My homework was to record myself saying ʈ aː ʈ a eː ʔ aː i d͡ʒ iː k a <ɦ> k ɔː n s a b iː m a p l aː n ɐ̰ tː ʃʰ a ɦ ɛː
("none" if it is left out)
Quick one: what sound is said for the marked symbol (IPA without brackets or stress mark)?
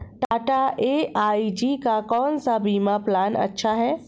none